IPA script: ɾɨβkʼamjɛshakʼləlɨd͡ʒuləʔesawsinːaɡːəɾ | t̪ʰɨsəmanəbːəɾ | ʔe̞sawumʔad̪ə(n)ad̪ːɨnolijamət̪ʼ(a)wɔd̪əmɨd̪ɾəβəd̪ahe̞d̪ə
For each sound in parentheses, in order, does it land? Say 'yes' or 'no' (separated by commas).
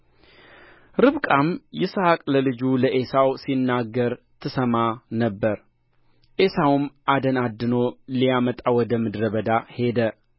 yes, yes